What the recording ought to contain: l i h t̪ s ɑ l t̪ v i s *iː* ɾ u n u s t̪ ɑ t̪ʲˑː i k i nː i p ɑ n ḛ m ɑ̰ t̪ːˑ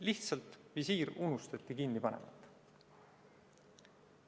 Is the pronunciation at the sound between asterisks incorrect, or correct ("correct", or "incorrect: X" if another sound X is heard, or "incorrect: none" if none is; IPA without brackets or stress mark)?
correct